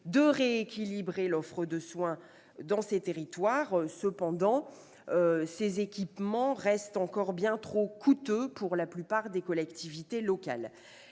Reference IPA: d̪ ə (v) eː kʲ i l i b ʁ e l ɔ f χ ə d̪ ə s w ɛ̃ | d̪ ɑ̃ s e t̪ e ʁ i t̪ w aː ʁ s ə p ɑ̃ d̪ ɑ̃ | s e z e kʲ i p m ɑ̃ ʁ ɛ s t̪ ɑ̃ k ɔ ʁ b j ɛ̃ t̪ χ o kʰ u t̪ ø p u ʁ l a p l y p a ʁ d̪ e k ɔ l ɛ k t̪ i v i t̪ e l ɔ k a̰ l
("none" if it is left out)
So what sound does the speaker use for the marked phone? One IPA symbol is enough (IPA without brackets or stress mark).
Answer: ʁ